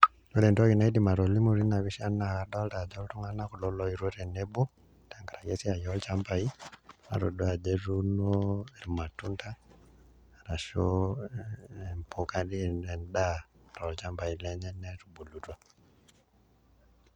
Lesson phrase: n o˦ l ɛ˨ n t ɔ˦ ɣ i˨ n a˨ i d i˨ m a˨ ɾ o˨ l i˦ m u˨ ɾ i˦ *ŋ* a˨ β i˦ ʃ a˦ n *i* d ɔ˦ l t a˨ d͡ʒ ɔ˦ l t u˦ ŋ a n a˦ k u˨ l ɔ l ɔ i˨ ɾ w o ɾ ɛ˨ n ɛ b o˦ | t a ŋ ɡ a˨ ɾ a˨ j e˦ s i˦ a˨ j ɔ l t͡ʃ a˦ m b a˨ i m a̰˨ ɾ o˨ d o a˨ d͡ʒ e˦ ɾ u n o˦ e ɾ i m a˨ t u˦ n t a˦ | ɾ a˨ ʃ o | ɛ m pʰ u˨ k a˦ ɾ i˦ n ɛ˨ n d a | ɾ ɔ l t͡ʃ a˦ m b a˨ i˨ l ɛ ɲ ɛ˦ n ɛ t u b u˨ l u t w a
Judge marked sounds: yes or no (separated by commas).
no, no